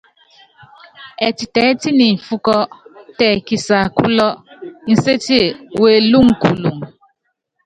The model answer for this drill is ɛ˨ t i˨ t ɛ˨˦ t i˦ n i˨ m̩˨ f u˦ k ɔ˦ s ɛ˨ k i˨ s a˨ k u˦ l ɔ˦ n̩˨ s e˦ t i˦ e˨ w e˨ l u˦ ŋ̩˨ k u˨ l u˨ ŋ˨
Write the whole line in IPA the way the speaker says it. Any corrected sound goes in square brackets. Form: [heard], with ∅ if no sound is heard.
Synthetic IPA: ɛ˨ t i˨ t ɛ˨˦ t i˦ n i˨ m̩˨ f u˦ k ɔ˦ [t] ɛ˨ k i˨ s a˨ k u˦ l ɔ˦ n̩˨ s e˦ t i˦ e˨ w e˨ l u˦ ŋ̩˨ k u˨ l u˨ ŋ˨